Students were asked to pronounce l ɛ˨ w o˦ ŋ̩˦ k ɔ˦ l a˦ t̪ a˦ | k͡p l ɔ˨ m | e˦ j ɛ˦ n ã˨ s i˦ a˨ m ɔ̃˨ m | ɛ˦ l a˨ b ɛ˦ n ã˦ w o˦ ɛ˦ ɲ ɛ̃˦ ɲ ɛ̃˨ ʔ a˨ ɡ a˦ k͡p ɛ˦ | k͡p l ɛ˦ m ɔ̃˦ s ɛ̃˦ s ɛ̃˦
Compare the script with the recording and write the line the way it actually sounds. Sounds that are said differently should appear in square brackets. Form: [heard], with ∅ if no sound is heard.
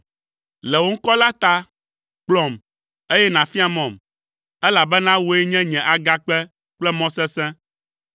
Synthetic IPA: l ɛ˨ w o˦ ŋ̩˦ k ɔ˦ l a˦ t̪ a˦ | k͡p l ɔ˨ m | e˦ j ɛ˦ n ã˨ [f] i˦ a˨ m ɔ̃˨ m | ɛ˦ l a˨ b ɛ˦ n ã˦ w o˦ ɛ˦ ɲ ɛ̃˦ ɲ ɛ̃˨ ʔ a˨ ɡ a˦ k͡p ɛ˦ | k͡p l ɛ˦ m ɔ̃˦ s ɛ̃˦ s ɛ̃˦